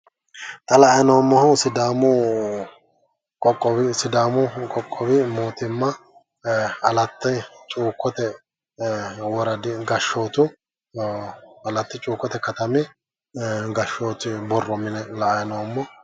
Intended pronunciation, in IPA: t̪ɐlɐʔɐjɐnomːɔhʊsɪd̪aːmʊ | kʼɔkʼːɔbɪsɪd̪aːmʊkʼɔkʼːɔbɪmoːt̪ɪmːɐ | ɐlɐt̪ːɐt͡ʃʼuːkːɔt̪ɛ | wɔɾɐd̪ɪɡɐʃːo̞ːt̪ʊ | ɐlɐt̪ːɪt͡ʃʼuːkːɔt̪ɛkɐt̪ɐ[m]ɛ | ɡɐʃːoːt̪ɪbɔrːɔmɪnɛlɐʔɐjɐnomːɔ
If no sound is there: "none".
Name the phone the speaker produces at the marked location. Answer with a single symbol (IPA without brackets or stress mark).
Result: m